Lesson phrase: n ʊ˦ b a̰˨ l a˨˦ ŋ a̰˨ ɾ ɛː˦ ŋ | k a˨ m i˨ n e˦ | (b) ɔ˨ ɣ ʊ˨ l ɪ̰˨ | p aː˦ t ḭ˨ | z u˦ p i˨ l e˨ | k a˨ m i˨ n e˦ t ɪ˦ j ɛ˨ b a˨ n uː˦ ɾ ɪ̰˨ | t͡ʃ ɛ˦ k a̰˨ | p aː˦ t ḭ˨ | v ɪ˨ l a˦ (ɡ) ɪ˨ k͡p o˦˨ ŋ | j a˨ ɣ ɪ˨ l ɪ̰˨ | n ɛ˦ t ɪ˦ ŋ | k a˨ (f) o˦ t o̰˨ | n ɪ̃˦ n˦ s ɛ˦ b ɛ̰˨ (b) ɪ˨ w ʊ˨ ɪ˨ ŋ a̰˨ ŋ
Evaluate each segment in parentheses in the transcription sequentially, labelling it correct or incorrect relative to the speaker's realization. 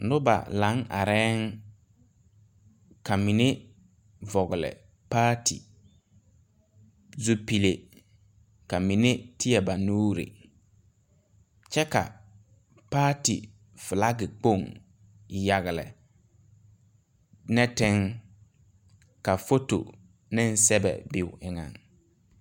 incorrect: v, correct, correct, correct

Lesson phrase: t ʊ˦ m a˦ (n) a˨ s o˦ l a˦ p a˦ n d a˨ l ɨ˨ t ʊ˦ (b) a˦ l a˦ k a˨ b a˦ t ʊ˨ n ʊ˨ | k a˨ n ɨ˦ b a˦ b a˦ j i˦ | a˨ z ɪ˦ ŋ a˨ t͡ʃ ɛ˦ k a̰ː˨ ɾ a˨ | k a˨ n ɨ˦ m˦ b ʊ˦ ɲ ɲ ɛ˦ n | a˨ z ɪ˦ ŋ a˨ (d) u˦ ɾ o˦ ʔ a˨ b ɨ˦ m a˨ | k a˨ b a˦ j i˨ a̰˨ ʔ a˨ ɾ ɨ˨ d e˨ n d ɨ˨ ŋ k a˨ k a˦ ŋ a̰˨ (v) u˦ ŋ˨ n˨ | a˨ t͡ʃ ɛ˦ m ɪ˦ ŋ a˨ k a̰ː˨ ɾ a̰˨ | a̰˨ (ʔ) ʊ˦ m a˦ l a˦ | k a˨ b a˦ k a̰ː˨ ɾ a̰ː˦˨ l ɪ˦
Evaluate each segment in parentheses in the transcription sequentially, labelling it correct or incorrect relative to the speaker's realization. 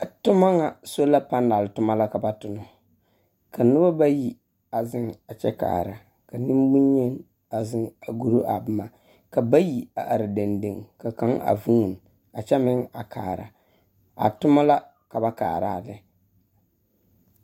incorrect: ŋ, incorrect: m, incorrect: ɡ, correct, incorrect: t

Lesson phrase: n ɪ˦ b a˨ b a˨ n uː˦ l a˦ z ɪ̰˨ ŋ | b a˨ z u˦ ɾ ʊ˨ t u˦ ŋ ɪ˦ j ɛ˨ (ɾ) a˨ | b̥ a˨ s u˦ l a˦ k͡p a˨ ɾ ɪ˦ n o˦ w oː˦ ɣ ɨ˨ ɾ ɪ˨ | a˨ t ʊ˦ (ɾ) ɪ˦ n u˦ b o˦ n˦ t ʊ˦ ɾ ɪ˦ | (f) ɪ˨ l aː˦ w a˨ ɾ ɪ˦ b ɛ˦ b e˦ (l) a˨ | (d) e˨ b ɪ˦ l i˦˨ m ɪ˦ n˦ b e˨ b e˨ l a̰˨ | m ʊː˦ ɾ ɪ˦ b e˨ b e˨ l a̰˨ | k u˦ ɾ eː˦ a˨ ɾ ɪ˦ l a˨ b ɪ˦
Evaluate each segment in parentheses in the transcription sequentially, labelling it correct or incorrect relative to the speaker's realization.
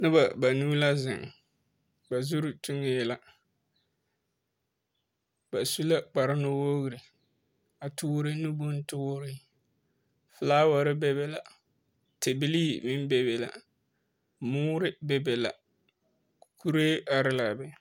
incorrect: l, correct, correct, correct, incorrect: t

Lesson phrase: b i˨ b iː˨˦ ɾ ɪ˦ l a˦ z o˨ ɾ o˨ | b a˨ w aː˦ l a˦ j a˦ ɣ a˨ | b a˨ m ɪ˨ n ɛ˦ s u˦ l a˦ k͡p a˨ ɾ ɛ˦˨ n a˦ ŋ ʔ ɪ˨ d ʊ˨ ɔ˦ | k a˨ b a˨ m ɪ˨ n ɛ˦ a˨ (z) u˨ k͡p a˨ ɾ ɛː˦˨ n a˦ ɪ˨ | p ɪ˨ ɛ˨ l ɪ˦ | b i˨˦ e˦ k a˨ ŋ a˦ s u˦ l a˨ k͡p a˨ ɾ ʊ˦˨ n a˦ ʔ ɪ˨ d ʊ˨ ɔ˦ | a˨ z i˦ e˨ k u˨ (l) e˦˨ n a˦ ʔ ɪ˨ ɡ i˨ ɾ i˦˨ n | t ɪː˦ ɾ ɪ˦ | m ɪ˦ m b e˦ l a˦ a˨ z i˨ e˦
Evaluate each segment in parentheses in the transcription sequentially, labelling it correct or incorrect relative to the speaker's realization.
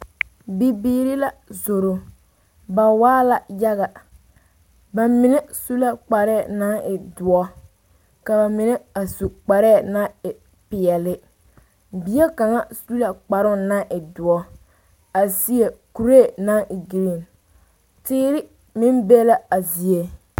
incorrect: s, incorrect: ɾ

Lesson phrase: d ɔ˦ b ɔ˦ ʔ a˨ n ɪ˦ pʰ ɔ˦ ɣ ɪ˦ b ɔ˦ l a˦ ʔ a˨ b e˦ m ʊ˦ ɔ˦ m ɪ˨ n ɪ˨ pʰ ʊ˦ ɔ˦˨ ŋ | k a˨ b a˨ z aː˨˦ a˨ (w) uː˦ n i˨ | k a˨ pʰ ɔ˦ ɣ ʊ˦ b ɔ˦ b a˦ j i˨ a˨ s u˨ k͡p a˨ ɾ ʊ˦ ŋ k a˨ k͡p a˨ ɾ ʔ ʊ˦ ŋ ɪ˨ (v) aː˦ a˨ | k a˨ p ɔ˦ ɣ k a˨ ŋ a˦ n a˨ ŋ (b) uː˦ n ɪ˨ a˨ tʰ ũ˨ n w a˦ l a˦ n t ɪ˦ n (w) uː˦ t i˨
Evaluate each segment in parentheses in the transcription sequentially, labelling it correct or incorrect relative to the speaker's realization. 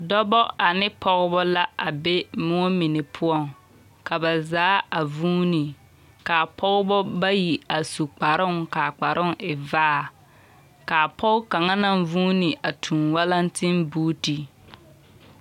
incorrect: v, correct, incorrect: v, incorrect: b

